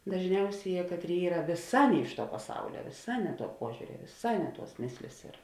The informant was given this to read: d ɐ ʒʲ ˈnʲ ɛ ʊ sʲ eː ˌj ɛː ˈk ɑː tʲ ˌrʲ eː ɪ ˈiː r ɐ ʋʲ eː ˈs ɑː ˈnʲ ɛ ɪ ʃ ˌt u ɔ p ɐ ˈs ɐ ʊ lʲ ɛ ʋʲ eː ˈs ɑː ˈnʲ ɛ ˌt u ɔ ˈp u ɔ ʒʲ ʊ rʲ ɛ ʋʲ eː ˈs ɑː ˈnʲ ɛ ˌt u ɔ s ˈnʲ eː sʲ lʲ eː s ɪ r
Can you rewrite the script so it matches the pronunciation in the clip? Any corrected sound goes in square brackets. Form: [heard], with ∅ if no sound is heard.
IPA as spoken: d ɐ ʒʲ ˈnʲ ɛ ʊ sʲ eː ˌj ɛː ˈk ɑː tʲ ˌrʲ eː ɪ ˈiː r ɐ ʋʲ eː ˈs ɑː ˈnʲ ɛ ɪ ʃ ˌt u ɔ p ɐ ˈs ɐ ʊ lʲ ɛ ʋʲ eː ˈs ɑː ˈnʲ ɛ ˌt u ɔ ˈp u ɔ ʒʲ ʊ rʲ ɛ ʋʲ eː ˈs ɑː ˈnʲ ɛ ˌt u ɔ s [ˈmʲ] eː sʲ lʲ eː s ɪ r